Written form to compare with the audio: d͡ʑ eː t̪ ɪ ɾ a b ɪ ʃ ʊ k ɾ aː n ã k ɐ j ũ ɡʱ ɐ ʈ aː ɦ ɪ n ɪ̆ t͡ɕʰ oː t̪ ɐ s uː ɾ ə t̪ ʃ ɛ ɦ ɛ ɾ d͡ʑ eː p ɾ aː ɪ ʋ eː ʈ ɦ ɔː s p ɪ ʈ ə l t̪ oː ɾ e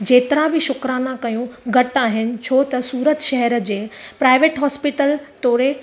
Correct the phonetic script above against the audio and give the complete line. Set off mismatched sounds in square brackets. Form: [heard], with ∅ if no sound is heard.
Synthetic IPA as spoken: d͡ʑ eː t̪ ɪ ɾ a b ɪ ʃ ʊ k ɾ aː n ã k ɐ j ũ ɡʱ ɐ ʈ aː ɦ ɪ n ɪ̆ t͡ɕʰ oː t̪ ɐ s uː ɾ ə t̪ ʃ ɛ ɦ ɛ ɾ d͡ʑ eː p ɾ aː ɪ ʋ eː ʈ ɦ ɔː s p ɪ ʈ ə l t̪ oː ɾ e